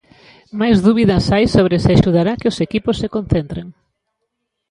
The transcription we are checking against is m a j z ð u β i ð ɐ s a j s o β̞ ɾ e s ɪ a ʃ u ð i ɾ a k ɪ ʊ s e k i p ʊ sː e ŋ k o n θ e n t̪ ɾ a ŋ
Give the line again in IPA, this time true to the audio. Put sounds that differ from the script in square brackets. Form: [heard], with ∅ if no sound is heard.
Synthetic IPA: m a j z ð u β i ð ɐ s a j s o β̞ ɾ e s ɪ a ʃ u ð [a] ɾ a k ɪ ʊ s e k i p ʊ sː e [∅] k o n θ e n t̪ ɾ [e] ŋ